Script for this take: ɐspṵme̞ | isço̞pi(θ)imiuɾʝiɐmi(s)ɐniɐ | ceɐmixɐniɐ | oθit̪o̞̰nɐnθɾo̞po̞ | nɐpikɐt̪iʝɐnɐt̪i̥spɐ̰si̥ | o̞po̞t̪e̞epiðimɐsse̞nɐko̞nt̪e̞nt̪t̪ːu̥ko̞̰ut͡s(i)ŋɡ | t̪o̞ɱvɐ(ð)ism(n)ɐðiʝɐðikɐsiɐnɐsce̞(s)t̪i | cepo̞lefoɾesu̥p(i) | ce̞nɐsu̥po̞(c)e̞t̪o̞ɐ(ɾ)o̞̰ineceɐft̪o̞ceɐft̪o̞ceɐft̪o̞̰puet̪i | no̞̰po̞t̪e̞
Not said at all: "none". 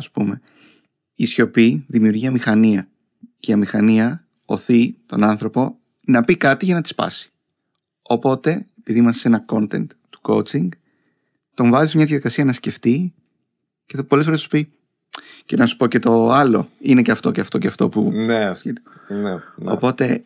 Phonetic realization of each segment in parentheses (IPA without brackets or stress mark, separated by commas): ð, x, i, z, ɲ, f, i, c, l